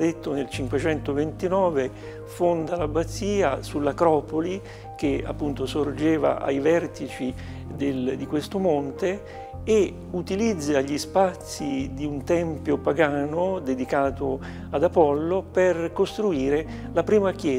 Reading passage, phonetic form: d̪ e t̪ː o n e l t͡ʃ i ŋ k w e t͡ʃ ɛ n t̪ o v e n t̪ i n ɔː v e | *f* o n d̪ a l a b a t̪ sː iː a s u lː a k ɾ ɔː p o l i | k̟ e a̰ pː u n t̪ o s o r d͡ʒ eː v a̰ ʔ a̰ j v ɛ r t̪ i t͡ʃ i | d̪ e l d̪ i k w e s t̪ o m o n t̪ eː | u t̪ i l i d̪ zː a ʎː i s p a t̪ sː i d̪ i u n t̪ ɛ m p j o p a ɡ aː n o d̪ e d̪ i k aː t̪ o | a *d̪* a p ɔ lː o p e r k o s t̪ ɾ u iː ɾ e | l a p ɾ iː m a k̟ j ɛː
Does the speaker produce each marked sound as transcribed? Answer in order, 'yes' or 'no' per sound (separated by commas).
yes, yes